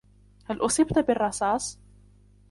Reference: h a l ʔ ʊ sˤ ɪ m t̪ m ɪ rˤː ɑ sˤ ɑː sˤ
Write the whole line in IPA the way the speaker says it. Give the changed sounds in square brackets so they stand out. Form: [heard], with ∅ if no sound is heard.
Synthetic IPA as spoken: h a l ʔ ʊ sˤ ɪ [b] t̪ [b] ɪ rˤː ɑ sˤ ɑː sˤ